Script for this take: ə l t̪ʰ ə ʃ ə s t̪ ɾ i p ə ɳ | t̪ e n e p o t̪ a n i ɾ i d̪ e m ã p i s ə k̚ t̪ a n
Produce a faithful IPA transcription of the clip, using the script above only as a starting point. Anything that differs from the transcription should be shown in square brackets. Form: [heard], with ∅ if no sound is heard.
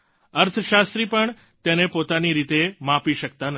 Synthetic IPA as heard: ə [ɾ] t̪ʰ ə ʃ [a] s t̪ ɾ i p ə ɳ | t̪ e n e p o t̪ a n i ɾ i [t̪] e m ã p i [ʃ] ə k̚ t̪ a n